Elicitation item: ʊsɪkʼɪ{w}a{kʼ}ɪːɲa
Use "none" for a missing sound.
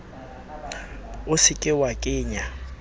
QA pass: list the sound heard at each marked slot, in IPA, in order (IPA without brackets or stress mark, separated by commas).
w, kʼ